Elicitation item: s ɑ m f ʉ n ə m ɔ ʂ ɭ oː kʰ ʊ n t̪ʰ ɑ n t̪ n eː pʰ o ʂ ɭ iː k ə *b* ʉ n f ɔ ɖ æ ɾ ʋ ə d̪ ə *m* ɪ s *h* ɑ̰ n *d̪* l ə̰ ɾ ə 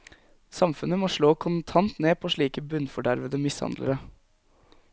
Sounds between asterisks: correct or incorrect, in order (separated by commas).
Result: correct, correct, correct, correct